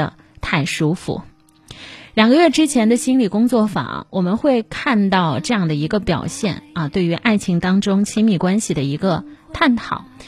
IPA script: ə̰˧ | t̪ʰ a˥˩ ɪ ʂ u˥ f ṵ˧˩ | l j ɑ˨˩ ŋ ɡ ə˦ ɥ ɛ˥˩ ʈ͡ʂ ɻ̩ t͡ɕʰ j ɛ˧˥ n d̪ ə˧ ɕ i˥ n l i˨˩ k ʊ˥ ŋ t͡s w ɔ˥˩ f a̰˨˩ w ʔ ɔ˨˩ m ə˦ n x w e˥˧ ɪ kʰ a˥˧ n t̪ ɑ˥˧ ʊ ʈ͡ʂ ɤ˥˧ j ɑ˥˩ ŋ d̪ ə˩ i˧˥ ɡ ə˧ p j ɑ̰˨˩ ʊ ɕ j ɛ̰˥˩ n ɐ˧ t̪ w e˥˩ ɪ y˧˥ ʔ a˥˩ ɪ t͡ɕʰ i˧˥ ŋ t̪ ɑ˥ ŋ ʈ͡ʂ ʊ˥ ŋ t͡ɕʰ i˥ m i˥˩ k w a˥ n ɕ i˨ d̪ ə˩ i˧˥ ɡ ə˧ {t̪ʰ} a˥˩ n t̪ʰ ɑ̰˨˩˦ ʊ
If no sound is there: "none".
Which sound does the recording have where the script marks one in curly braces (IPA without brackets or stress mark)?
t̪ʰ